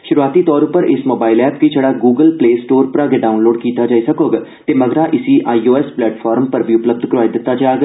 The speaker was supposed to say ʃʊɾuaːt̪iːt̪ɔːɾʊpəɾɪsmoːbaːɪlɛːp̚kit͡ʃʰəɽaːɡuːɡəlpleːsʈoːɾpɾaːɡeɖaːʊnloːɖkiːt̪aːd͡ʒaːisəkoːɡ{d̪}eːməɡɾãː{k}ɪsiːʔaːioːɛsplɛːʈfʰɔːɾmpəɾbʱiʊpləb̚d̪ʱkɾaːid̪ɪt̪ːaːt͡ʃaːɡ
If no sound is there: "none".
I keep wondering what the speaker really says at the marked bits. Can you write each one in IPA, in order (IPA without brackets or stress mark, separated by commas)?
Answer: t̪, ʔ